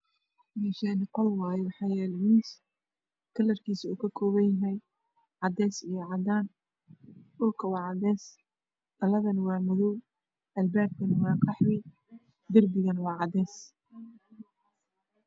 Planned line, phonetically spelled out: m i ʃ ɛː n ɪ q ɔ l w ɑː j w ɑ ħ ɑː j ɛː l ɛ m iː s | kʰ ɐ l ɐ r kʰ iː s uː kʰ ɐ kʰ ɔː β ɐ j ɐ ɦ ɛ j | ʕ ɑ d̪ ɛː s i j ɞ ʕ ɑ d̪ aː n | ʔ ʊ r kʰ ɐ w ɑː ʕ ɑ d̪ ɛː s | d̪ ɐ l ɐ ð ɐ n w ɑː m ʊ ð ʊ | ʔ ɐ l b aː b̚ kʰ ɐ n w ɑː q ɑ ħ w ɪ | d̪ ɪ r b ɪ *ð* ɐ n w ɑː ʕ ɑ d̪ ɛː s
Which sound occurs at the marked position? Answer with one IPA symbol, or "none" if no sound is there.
ɣ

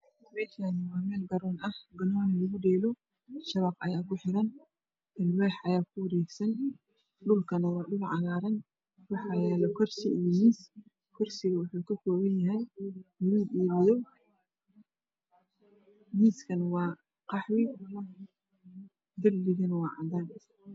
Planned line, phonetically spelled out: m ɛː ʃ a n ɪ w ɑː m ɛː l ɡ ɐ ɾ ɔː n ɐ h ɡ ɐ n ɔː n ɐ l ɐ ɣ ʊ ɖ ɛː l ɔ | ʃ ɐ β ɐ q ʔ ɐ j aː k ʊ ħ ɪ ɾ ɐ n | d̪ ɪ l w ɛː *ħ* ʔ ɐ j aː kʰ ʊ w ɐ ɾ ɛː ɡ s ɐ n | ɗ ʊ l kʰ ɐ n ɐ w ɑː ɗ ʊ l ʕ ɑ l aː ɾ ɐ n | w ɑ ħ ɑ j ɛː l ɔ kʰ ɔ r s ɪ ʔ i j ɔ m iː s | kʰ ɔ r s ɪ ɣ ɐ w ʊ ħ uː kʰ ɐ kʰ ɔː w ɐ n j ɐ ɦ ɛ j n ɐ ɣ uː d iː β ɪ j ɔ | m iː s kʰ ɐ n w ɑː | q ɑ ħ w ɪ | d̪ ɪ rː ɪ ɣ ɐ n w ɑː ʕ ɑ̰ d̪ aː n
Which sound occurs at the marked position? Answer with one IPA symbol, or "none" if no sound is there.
ħ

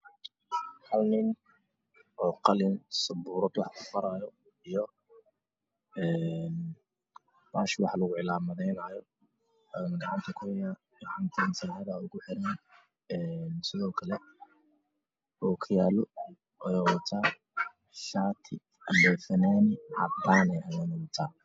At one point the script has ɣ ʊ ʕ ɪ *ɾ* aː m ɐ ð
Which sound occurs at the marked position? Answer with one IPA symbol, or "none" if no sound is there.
l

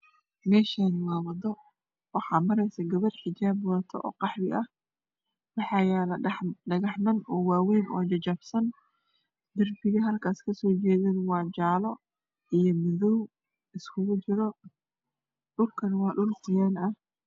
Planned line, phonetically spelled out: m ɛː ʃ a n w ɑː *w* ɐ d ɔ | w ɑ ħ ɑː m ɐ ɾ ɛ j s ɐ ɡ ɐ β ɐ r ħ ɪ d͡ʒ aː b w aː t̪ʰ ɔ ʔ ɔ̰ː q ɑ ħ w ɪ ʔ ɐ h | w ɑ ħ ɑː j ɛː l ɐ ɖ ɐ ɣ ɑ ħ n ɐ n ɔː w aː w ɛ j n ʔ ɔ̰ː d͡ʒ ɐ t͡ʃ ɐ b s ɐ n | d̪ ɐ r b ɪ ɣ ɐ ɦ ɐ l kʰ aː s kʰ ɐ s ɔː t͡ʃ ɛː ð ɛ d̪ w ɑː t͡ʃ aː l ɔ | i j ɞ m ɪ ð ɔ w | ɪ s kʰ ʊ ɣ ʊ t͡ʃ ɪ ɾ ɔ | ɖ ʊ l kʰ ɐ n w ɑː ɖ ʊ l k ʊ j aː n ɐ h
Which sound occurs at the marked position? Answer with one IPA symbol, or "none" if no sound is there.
w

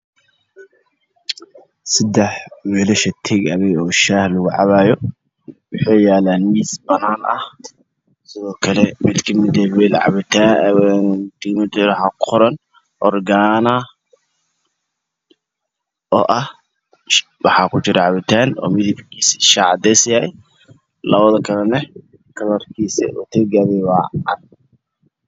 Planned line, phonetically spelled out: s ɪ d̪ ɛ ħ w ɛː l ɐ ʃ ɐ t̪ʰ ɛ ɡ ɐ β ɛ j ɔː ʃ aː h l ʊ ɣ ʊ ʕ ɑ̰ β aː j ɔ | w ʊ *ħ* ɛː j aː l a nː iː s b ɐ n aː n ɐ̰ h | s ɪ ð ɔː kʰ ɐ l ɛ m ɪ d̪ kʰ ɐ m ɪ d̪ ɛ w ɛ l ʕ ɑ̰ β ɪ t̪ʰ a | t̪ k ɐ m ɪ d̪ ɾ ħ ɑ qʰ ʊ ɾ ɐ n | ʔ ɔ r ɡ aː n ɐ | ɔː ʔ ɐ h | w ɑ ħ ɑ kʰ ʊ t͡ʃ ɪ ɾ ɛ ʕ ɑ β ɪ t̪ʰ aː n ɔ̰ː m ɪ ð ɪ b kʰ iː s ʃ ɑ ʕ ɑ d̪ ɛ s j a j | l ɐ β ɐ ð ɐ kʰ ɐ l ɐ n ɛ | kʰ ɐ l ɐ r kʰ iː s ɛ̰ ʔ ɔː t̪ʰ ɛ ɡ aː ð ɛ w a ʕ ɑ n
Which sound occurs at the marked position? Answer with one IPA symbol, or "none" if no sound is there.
ħ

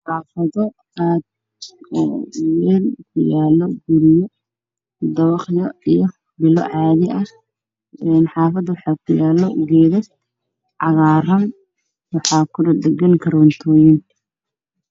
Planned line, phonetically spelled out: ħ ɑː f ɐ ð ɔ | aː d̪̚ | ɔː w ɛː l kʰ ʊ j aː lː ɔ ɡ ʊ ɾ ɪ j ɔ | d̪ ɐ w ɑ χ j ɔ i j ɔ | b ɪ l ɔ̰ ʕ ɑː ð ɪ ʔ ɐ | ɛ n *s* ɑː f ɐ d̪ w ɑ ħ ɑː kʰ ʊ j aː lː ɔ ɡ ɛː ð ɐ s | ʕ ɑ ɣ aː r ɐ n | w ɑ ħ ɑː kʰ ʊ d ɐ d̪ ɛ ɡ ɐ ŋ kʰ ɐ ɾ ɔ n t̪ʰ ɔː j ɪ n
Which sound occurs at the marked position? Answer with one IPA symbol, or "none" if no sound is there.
ħ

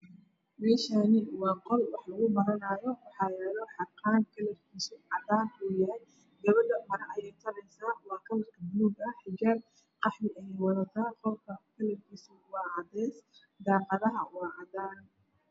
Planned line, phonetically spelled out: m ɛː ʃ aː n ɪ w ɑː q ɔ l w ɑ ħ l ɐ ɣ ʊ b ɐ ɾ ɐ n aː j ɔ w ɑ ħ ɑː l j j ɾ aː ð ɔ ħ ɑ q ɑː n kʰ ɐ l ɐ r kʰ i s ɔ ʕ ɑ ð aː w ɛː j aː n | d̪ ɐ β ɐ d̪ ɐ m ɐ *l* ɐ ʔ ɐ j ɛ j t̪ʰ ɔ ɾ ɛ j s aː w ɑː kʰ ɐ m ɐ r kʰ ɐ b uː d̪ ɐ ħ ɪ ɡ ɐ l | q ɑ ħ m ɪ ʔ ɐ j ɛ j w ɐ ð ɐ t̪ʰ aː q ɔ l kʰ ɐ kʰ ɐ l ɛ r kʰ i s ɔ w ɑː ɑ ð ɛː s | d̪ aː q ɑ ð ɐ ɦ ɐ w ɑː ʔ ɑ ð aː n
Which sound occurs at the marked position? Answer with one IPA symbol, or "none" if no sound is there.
ɾ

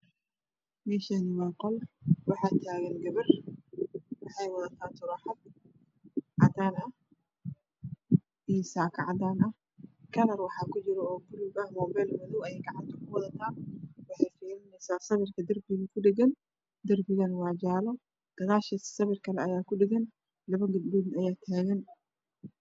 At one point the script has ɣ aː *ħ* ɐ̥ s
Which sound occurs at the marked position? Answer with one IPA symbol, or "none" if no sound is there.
ʃ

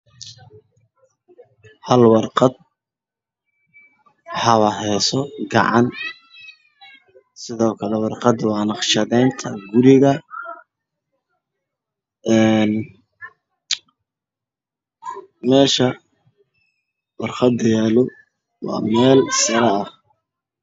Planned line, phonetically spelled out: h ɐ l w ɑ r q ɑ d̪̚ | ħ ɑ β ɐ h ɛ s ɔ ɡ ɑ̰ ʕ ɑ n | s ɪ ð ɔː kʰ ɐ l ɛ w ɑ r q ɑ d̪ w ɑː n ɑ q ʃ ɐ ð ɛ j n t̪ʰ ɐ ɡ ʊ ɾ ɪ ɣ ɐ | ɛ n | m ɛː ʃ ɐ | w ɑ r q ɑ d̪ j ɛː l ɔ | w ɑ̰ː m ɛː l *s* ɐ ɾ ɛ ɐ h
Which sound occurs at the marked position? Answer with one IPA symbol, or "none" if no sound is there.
s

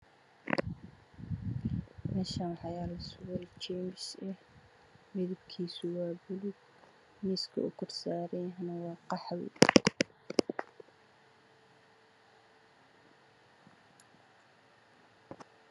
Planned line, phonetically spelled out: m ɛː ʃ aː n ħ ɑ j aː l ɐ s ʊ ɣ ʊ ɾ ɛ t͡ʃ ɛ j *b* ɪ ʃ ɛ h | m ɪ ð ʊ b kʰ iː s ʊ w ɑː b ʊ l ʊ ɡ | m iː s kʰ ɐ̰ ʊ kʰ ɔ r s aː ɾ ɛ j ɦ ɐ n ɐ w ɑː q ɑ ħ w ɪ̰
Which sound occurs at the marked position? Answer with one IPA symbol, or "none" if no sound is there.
m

